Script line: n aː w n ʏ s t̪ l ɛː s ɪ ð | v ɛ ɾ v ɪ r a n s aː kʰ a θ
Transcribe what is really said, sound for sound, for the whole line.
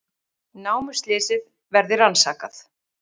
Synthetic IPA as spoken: n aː w m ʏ s t̪ l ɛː s ɪ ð | v ɛ ɾ ð ɪ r a n s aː k a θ